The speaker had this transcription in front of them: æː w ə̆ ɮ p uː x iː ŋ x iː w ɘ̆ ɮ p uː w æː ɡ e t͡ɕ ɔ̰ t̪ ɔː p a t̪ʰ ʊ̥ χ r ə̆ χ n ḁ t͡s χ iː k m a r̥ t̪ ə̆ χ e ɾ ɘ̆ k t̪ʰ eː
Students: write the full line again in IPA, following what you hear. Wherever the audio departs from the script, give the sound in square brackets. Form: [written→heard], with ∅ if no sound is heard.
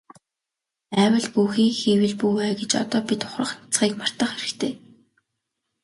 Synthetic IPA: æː w ə̆ ɮ p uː x iː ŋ x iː w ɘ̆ ɮ p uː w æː ɡ e t͡ɕ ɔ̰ t̪ ɔː p [a→i] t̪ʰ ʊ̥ χ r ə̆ χ n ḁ t͡s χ iː k m a r̥ t̪ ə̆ χ e ɾ ɘ̆ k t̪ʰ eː